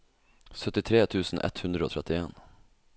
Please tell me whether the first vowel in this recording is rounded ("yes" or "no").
yes